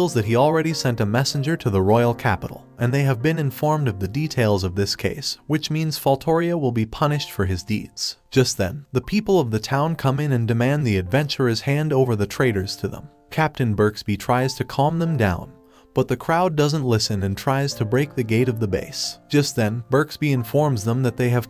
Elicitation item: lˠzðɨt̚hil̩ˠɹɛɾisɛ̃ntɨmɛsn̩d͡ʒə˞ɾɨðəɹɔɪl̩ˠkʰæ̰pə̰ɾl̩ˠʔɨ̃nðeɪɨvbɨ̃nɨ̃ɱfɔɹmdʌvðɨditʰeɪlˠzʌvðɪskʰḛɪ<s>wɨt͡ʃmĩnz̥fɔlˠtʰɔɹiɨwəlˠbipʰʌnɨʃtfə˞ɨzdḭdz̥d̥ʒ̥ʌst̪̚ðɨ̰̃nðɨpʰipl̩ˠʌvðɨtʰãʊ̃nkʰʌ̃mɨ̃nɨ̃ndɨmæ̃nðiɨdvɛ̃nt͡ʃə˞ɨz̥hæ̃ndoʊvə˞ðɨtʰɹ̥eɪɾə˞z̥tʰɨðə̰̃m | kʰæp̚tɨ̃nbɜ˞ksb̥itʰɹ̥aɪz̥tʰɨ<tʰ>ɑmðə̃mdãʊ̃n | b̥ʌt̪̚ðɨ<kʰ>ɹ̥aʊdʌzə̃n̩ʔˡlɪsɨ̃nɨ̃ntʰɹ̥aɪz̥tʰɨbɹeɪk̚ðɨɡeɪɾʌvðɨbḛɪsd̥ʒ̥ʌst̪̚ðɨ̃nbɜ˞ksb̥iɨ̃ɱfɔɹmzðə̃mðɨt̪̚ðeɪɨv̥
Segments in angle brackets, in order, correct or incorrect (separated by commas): correct, incorrect, correct